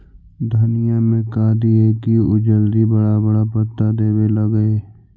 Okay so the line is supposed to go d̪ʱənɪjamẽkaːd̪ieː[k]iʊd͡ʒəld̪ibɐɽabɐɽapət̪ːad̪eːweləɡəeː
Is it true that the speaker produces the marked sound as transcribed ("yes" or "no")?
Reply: yes